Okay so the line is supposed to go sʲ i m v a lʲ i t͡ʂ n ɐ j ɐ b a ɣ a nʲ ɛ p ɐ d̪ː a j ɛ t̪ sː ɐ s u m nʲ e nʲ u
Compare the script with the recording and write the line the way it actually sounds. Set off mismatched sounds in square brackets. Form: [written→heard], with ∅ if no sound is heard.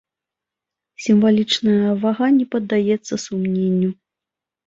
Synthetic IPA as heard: sʲ i m v a lʲ i t͡ʂ n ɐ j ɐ [b→v] a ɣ a nʲ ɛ p ɐ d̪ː a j ɛ t̪ sː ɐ s u m nʲ e [nʲ→nʲː] u